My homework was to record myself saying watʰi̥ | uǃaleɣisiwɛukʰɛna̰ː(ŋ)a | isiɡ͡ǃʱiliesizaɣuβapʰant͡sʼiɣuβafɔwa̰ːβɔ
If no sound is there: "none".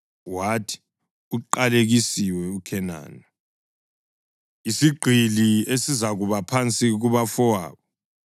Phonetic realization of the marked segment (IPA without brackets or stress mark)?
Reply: n